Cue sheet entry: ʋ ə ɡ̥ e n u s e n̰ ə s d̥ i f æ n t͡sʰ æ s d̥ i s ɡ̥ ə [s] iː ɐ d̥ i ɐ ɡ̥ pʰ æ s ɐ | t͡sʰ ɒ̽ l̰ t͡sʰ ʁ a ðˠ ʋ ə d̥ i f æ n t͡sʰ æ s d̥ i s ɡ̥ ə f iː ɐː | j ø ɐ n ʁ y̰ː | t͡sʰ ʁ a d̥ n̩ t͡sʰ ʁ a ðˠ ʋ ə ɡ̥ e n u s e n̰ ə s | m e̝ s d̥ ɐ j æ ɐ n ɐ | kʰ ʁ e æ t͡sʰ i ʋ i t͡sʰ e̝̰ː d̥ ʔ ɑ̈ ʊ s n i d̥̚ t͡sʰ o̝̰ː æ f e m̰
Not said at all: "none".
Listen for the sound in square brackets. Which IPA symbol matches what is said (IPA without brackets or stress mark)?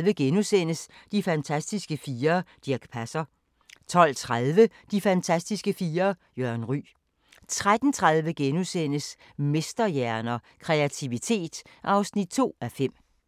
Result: f